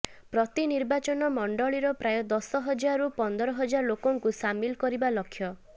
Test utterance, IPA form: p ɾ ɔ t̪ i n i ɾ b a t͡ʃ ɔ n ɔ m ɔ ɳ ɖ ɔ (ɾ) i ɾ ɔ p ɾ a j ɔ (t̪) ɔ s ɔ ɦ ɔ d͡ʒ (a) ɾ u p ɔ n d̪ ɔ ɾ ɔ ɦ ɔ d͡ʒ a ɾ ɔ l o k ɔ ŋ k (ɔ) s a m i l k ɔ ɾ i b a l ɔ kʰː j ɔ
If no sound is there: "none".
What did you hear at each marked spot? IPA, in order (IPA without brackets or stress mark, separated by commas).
ɭ, d̪, a, u